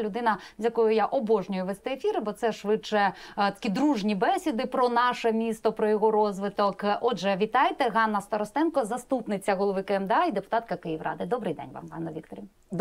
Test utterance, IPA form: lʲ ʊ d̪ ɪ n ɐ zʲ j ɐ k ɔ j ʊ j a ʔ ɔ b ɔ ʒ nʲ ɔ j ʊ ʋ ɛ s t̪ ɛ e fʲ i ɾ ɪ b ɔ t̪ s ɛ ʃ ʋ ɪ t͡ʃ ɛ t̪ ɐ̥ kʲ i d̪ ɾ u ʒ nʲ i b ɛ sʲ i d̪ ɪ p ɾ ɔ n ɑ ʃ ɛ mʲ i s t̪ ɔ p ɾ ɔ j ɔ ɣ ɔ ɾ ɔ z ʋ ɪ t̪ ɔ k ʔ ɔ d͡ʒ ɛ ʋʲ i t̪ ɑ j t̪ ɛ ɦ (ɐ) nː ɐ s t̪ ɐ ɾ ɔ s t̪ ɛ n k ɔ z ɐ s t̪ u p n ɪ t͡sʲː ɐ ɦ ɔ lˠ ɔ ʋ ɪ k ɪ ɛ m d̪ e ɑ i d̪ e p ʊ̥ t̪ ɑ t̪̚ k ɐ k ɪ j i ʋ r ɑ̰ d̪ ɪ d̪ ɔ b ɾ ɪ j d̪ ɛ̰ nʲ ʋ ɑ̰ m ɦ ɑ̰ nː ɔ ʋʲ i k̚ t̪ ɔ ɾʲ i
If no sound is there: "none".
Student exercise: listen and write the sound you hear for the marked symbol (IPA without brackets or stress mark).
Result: ɑ